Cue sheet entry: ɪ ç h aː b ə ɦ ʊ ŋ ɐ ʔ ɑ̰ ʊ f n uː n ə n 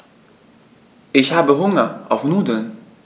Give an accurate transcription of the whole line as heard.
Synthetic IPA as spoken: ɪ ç h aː b ə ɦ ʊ ŋ ɐ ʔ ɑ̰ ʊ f n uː d ə n